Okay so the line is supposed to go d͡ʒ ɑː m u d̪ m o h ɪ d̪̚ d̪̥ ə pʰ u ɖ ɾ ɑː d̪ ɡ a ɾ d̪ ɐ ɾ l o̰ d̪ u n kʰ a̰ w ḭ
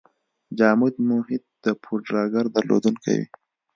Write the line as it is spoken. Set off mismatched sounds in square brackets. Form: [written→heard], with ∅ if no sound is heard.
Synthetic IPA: d͡ʒ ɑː m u d̪ m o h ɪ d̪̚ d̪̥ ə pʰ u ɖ ɾ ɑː [d̪→∅] ɡ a ɾ d̪ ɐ ɾ l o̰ d̪ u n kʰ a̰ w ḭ